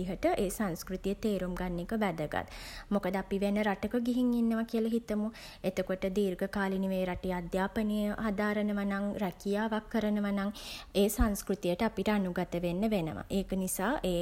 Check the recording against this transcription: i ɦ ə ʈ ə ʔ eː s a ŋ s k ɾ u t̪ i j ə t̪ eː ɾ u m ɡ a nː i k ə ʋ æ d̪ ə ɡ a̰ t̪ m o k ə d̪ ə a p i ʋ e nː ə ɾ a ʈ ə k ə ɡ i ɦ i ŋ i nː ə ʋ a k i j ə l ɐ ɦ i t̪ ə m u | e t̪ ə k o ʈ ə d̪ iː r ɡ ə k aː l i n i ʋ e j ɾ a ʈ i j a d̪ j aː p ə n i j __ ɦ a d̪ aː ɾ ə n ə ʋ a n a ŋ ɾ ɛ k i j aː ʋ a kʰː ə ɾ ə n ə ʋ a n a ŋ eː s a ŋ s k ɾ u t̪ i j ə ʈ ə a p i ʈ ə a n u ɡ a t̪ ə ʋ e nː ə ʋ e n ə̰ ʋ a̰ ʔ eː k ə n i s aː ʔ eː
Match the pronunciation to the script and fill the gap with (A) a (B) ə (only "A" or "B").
B